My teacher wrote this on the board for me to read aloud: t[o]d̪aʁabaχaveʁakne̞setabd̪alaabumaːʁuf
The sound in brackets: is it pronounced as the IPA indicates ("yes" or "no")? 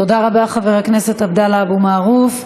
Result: yes